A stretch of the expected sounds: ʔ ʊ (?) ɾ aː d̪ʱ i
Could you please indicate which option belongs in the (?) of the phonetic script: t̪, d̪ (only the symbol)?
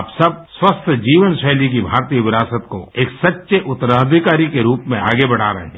t̪